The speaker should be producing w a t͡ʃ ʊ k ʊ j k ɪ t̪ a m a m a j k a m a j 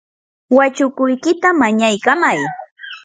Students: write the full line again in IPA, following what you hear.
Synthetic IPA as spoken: w a t͡ʃ ʊ k ʊ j k ɪ t̪ a m a ɲ a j k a m a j